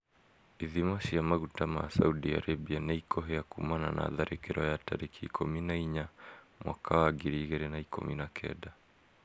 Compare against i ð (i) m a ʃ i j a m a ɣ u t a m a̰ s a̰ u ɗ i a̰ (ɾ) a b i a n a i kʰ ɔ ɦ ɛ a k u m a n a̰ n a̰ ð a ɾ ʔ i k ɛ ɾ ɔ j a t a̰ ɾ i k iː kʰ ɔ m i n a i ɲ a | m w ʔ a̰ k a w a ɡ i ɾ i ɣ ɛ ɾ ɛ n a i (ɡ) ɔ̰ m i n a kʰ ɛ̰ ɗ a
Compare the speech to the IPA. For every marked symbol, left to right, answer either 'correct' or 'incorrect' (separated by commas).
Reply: correct, correct, incorrect